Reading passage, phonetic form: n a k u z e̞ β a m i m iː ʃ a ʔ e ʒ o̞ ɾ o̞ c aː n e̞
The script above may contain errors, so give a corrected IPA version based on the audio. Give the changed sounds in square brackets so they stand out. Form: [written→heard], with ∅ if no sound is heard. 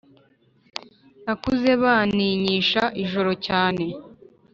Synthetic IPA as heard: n a k u z e̞ β a [m→n] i [m→ɲ] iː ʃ a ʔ [e→i] ʒ o̞ ɾ o̞ c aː n e̞